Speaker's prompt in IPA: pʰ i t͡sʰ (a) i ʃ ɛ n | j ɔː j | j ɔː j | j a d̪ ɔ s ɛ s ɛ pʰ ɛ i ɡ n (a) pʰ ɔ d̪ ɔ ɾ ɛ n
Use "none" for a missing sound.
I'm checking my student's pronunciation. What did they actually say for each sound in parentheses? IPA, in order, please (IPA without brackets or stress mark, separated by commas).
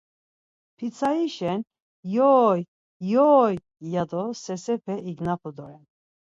a, a